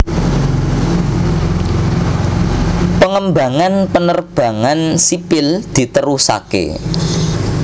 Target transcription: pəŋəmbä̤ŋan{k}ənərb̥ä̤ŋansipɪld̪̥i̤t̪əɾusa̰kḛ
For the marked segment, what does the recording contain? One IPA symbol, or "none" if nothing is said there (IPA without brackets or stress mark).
p